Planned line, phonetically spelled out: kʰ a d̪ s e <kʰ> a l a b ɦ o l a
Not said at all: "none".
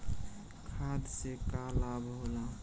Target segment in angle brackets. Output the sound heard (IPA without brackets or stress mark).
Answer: k